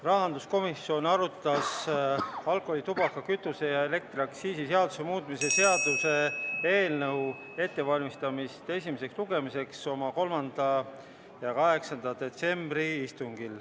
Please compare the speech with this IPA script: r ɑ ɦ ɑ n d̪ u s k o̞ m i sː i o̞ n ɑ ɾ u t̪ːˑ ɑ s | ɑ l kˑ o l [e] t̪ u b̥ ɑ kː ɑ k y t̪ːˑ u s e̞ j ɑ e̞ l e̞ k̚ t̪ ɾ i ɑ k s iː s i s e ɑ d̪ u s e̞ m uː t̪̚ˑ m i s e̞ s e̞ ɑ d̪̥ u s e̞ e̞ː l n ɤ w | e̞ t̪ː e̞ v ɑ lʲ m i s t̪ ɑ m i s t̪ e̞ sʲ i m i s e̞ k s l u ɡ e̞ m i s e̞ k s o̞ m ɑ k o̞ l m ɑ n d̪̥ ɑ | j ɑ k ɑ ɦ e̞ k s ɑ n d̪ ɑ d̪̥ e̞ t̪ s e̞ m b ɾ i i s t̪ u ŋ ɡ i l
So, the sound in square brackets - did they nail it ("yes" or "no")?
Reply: no